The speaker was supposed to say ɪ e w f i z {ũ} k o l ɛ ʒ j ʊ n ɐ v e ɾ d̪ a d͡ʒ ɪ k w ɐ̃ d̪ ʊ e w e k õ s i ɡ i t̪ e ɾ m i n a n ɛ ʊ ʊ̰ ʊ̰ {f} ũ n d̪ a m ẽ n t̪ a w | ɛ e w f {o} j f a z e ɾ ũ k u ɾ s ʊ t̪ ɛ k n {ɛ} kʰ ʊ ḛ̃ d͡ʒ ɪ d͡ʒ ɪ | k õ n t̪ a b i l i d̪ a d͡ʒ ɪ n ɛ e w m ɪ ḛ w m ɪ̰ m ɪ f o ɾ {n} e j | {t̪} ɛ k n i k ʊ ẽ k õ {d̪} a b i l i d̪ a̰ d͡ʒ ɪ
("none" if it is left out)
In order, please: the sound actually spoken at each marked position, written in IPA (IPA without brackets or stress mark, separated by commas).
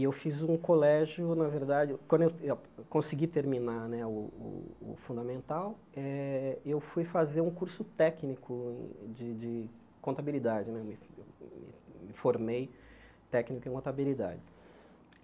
ũ, f, u, i, m, t̪, t̪